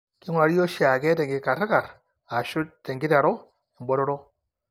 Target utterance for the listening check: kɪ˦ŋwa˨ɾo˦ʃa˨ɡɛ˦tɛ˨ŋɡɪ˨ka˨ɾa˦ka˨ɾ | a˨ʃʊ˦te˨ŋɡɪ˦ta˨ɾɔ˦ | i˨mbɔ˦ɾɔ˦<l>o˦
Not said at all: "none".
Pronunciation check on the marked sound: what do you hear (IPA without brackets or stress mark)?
ɾ